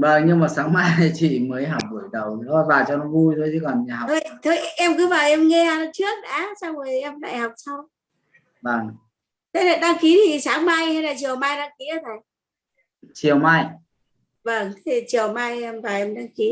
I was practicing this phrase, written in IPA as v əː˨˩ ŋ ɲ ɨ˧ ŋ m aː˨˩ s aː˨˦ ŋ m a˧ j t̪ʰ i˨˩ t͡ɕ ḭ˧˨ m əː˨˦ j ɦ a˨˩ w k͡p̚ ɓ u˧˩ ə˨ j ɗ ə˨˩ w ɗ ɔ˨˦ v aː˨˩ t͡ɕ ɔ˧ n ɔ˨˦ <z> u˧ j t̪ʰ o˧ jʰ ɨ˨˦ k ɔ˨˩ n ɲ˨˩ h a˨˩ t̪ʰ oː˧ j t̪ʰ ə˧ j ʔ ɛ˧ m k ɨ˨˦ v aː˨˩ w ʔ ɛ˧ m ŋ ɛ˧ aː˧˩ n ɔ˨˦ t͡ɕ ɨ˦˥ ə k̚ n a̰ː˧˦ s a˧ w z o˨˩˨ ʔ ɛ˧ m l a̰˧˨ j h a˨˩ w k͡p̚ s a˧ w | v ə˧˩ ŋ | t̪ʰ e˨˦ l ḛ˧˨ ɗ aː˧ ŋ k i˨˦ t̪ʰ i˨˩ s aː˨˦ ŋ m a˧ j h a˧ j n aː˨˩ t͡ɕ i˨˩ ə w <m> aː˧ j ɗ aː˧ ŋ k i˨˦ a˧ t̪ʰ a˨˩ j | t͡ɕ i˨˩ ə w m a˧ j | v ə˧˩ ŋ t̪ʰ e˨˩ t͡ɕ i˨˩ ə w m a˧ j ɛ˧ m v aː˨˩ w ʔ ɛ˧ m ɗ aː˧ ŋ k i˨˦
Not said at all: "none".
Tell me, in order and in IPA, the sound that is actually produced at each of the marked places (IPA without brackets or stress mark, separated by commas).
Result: v, m